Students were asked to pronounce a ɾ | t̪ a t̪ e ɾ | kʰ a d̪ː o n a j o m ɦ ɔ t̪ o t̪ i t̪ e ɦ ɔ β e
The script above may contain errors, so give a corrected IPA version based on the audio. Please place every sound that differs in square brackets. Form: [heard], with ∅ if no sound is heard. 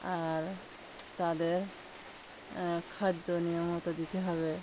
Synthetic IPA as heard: a ɾ | t̪ a [d̪] e ɾ | kʰ a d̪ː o n [i] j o m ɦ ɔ t̪ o [d̪] i t̪ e ɦ ɔ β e

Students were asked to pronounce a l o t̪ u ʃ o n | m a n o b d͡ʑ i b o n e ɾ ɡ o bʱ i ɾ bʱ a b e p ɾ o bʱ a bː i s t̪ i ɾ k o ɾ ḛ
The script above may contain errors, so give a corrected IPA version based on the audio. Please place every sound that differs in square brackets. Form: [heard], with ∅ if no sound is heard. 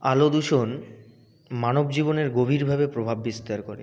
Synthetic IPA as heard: a l o [d̪] u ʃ o n | m a n o b d͡ʑ i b o n e ɾ ɡ o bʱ i ɾ bʱ a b e p ɾ o bʱ a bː i s t̪ [a] ɾ k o ɾ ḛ

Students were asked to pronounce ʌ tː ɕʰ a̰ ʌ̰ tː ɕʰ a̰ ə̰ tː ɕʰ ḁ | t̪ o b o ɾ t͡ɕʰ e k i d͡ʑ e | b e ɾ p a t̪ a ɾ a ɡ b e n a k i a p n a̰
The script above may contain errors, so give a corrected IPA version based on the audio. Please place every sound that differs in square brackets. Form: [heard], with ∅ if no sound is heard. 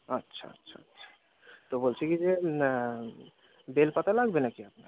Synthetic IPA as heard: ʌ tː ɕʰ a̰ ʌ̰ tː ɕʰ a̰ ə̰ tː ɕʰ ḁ | t̪ o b o [l] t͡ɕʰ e k i d͡ʑ e | b e [l] p a t̪ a [l] a ɡ b e n a k i a p n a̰

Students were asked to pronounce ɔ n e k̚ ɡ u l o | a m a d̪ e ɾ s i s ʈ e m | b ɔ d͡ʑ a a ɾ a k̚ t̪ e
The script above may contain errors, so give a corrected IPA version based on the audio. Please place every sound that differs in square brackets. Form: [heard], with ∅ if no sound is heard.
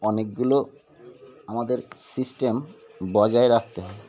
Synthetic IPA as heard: ɔ n e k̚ ɡ u l o | a m a d̪ e ɾ s i s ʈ e m | b ɔ d͡ʑ a [e] ɾ a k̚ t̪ e

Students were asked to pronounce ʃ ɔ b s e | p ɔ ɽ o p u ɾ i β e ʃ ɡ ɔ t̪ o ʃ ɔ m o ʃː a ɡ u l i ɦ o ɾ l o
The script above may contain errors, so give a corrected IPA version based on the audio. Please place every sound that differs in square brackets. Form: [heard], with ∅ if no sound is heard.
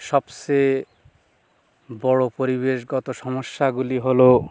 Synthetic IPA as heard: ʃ ɔ b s e | [b] ɔ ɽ o p [o] ɾ i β e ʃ ɡ ɔ t̪ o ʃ ɔ m o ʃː a ɡ u l i ɦ o [∅] l o

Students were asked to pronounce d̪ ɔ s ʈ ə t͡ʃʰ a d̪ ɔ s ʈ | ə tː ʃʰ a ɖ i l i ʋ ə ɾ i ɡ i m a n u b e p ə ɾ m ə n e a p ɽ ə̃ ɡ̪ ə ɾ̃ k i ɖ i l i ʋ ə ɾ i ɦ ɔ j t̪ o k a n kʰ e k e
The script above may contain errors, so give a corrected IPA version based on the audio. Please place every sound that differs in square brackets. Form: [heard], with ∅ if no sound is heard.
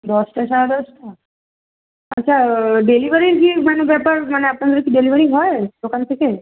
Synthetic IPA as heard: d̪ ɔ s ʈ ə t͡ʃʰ a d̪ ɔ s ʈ | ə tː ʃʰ a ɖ [e] l i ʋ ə ɾ i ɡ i m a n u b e p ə ɾ m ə n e a p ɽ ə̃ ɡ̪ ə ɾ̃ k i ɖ [e] l i ʋ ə ɾ i ɦ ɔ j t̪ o k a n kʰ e k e

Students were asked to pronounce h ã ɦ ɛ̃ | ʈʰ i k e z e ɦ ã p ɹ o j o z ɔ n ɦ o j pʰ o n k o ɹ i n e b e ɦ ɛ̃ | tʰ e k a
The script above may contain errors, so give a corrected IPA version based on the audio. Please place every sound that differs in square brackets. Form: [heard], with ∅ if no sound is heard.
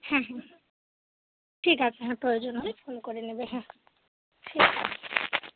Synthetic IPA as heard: h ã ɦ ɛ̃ | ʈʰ i k [a] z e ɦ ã p ɹ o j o z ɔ n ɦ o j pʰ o n k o ɹ i n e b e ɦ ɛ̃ | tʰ [i] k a

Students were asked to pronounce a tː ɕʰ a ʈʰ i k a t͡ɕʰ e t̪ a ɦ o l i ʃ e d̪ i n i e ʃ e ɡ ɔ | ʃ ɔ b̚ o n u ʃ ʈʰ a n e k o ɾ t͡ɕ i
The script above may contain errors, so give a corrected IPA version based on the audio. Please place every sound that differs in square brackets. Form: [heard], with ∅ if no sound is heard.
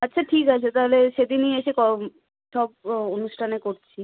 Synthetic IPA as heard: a tː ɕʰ a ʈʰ i k a t͡ɕʰ e t̪ a ɦ o l [e] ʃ e d̪ i n i e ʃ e [k] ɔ | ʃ ɔ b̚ o n u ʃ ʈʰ a n e k o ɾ [t͡ɕʰ] i

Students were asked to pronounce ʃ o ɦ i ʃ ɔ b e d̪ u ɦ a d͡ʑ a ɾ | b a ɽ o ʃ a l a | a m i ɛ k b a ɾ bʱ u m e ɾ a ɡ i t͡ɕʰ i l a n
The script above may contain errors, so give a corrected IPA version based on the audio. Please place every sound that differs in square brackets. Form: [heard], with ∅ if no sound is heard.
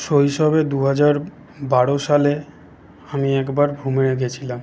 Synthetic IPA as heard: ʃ o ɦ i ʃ ɔ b e d̪ u ɦ a d͡ʑ a ɾ | b a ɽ o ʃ a l [e] | a m i ɛ k b a ɾ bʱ u m e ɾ [e] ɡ [e] t͡ɕʰ i l a [m]

